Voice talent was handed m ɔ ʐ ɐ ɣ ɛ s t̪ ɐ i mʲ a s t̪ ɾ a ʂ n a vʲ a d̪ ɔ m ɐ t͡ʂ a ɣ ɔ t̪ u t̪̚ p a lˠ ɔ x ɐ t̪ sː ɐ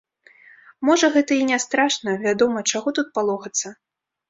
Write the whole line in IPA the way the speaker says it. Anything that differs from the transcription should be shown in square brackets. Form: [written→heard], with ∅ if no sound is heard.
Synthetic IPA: m ɔ ʐ ɐ ɣ ɛ [s→∅] t̪ ɐ i [mʲ→nʲ] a s t̪ ɾ a ʂ n [a→ɐ] vʲ a d̪ ɔ m ɐ t͡ʂ a ɣ ɔ t̪ u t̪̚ p a lˠ ɔ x ɐ t̪ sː ɐ